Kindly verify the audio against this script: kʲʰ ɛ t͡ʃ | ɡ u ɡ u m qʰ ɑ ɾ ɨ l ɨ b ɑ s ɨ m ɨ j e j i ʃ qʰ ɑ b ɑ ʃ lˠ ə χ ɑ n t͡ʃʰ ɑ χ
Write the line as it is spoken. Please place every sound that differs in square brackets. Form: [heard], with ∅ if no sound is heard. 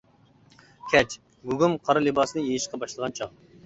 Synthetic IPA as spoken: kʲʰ ɛ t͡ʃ | ɡ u ɡ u m qʰ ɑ ɾ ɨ l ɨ b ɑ s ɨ [n] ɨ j e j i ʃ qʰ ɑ b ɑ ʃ lˠ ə [ʁ] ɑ n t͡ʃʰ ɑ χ